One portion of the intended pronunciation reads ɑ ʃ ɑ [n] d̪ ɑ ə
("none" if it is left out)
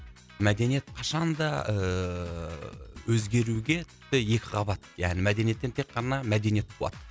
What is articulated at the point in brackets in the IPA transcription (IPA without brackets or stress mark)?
n